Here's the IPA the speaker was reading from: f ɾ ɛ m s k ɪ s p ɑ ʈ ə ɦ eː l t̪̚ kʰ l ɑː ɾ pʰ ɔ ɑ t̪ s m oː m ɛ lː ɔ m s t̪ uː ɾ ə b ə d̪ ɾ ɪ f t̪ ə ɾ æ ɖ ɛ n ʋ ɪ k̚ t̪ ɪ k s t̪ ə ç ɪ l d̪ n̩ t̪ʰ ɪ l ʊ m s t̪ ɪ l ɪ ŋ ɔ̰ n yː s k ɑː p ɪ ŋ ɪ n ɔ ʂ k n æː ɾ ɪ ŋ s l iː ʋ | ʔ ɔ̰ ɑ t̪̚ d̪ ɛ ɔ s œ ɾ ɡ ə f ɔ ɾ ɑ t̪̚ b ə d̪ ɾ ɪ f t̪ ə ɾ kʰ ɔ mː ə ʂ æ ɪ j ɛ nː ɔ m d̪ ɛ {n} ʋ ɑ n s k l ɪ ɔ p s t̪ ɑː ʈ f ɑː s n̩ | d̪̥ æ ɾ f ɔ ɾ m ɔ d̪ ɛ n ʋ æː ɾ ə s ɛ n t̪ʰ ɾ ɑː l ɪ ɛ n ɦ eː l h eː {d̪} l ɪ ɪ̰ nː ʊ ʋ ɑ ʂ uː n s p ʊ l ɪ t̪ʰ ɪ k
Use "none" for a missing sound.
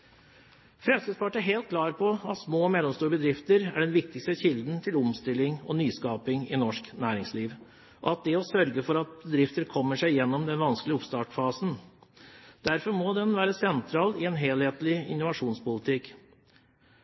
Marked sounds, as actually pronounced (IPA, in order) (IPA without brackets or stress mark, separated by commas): n, t̪